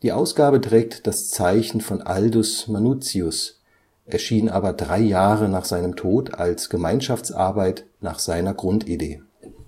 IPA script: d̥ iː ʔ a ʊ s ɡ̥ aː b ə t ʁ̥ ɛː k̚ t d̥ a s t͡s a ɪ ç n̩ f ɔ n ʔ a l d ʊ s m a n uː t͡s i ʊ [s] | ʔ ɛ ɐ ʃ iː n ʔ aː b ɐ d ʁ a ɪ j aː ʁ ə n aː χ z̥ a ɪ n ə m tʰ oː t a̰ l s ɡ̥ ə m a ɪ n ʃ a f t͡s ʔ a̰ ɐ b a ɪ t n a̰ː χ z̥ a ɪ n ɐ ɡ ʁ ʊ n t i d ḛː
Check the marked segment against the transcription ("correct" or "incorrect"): correct